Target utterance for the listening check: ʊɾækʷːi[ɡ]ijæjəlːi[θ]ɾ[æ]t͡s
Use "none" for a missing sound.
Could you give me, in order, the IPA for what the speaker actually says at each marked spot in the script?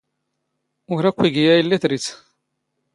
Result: ɡ, θ, i

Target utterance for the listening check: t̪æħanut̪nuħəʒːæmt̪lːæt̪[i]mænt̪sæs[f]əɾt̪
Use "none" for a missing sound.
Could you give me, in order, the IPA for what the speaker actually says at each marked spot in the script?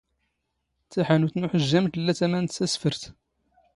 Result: æ, f

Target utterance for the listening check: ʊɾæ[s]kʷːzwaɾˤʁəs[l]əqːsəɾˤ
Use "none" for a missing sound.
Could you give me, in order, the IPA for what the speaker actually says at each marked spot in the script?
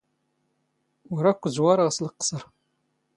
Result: none, l

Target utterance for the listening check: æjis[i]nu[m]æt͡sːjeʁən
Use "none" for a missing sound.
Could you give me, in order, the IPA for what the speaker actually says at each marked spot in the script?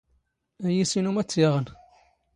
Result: i, m

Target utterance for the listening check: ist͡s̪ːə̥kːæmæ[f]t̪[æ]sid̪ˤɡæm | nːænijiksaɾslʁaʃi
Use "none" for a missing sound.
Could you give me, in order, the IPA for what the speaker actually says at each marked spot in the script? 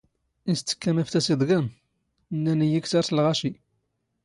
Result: f, æ

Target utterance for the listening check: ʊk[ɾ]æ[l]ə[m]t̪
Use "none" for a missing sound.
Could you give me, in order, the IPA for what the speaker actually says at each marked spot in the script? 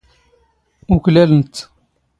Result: l, l, n

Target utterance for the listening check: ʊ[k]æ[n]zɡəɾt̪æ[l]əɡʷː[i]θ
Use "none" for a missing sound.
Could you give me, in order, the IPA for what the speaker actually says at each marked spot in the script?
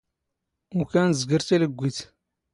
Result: k, n, l, i

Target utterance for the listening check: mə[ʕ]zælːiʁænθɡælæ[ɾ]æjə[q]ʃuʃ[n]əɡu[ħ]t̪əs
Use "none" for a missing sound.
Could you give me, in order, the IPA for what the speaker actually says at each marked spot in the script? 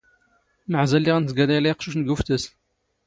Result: ʕ, l, q, n, f

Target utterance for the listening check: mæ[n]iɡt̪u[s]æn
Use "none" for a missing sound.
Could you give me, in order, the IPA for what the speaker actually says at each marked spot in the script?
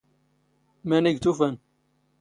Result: n, f

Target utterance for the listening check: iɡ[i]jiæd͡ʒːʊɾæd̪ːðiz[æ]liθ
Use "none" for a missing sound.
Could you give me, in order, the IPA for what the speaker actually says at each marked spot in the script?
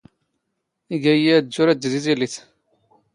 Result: æ, i

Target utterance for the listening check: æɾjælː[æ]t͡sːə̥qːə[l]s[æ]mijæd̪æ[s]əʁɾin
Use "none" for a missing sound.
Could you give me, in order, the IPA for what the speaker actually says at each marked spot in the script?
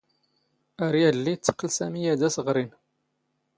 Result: i, l, æ, s

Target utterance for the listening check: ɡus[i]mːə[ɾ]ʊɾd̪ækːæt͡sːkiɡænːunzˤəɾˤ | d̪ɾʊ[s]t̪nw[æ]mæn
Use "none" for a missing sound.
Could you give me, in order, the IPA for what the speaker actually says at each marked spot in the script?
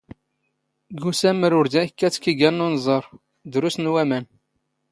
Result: æ, ɾ, s, æ

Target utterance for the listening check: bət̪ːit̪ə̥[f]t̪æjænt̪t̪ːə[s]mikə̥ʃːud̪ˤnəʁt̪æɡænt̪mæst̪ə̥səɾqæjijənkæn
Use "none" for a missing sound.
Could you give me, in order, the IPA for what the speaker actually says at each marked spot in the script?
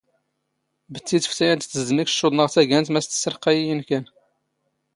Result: f, z

